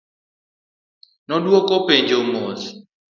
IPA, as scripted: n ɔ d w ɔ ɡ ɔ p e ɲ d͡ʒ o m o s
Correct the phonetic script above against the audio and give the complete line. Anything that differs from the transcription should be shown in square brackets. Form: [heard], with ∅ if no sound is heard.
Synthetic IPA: n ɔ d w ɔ [k] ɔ p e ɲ d͡ʒ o m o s